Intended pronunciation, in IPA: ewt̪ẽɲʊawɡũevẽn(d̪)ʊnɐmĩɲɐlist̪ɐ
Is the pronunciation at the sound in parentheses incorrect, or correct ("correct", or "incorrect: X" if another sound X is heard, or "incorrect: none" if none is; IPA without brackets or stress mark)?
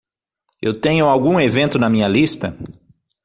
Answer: incorrect: t̪